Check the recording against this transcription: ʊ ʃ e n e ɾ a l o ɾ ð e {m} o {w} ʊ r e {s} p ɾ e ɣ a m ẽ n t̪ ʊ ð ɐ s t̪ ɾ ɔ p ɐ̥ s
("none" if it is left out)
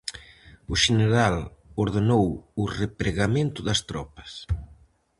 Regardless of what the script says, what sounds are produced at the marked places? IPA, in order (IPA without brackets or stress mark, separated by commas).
n, w, none